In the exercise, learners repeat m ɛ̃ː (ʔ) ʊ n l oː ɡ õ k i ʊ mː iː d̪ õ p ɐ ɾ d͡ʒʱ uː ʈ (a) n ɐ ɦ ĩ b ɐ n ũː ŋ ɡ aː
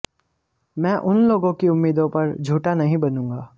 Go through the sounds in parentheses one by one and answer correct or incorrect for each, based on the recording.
correct, correct

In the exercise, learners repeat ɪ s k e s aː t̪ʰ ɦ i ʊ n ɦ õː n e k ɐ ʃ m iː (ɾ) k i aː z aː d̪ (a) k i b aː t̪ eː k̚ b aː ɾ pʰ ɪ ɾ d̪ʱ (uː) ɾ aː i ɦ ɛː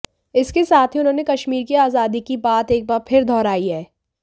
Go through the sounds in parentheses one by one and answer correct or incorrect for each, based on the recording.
correct, incorrect: i, incorrect: ɔː

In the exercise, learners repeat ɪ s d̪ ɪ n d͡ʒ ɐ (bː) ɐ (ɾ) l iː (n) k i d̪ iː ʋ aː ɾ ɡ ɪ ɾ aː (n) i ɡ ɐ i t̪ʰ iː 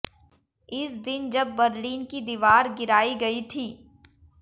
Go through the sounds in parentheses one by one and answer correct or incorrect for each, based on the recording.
correct, correct, correct, incorrect: none

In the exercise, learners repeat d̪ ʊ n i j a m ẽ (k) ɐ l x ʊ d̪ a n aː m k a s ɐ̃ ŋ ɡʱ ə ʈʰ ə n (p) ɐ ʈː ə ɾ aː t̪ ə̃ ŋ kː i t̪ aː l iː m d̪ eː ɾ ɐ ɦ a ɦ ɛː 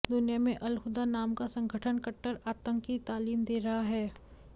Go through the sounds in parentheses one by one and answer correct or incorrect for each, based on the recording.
incorrect: ʔ, incorrect: k

